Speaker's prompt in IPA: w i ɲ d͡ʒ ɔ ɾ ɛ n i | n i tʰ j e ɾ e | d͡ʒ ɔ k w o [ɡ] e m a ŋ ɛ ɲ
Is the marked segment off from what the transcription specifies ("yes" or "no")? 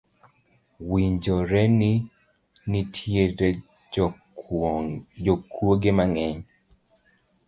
no